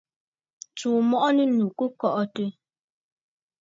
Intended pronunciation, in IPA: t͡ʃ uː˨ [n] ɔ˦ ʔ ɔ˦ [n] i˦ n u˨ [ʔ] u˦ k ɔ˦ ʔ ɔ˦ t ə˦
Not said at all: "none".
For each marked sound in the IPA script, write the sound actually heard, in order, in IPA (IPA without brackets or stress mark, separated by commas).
m, n, k